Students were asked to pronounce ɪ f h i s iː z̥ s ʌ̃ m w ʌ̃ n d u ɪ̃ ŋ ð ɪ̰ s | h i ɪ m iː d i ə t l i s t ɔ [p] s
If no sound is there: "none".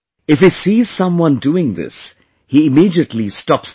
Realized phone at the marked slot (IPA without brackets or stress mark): p